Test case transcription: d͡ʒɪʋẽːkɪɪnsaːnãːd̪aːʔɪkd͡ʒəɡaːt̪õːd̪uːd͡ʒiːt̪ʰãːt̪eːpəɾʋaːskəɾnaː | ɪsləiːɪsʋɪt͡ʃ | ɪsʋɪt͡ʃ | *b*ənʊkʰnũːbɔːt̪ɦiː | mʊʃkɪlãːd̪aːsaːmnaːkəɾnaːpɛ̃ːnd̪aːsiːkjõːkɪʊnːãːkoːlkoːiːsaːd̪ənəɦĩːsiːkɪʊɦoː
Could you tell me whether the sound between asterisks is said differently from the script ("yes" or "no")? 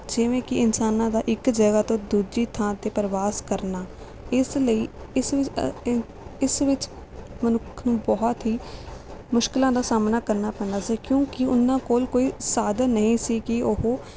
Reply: yes